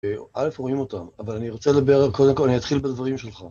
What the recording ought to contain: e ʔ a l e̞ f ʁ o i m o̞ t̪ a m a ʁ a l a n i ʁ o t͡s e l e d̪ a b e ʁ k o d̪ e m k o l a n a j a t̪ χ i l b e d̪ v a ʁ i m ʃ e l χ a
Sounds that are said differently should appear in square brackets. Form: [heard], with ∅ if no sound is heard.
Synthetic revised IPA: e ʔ a l e̞ f ʁ o i m o̞ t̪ a m a [v] a l a n i ʁ o t͡s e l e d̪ a b e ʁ k o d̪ e m k o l a n [i] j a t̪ χ i l b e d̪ v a ʁ i m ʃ e l χ a